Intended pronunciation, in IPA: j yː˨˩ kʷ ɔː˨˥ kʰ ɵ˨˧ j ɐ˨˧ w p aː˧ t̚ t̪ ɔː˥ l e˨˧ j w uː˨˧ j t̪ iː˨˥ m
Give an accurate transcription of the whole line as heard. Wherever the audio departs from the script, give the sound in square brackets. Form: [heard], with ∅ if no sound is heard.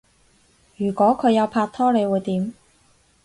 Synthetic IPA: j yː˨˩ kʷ ɔː˨˥ kʰ ɵ˨˧ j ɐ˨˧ w [pʰ] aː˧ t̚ [t̪ʰ] ɔː˥ l e˨˧ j w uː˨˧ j t̪ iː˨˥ m